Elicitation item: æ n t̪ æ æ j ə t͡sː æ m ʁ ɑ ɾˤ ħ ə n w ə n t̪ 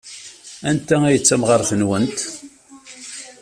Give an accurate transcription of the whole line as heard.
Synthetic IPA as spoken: æ n t̪ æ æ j ə t͡sː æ m ʁ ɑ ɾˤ θ ə n w ə n t̪

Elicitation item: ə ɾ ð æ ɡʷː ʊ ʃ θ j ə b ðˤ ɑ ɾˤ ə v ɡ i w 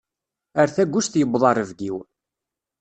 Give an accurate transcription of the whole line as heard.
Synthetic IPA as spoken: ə ɾ θ æ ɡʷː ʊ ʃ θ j ə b ðˤ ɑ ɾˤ ə v ɡ i w

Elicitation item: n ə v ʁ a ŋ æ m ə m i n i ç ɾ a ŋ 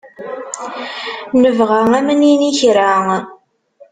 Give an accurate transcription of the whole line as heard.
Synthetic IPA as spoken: n ə v ʁ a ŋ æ m ə n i n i ç ɾ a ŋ

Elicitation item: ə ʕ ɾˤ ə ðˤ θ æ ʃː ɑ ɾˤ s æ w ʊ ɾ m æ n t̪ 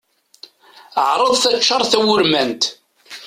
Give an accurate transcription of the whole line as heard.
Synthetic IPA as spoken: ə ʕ ɾˤ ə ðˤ θ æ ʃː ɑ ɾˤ θ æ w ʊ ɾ m æ n t̪

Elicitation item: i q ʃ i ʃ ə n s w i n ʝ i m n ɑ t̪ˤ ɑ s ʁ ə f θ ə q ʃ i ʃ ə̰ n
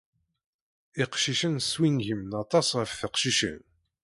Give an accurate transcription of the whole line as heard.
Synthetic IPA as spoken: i q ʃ i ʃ ə n s w i n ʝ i m n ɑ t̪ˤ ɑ s ʁ ə f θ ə q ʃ i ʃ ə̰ n

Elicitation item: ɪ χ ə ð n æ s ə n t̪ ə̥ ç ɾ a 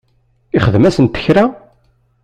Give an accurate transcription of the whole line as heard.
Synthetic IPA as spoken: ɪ χ ə ð m æ s ə n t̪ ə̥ ç ɾ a

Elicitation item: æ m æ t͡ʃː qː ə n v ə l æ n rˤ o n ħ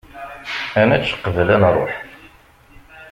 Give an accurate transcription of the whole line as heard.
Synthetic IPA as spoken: æ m æ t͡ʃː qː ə v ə l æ n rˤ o ħ

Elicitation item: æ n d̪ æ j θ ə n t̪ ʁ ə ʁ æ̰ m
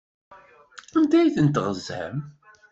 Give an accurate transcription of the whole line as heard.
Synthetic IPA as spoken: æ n d̪ æ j θ ə n t̪ ʁ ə z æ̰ m

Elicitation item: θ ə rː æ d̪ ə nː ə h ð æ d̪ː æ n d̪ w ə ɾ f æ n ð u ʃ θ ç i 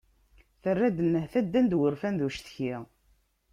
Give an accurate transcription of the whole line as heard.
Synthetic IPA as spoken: θ ə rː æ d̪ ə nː ə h θ æ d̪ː æ n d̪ w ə ɾ f æ n ð u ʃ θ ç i

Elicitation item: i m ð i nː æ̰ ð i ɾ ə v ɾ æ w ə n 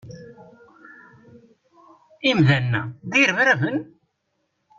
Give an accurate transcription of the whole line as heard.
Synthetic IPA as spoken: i m ð æ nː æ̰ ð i ɾ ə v ɾ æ v ə n

